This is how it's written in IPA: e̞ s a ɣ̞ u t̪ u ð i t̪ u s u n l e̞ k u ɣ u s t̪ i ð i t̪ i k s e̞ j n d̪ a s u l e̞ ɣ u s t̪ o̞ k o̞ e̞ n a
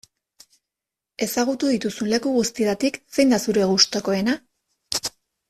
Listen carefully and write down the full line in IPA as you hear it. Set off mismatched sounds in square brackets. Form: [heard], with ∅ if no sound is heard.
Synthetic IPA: e̞ s a ɣ̞ u t̪ u ð i t̪ u s u n l e̞ k u ɣ u s t̪ i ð [a] t̪ i k s e̞ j n d̪ a s u [ɾ] e̞ ɣ u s t̪ o̞ k o̞ e̞ n a